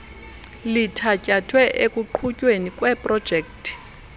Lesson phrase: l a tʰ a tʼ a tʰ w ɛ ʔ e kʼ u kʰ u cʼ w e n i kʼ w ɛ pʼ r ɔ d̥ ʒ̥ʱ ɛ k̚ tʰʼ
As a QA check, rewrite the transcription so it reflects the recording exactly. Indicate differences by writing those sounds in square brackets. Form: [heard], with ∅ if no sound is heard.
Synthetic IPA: l [i] tʰ a [cʼ] a tʰ w ɛ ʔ e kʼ u [ǃʰ] u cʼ w e n i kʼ w ɛ pʼ r ɔ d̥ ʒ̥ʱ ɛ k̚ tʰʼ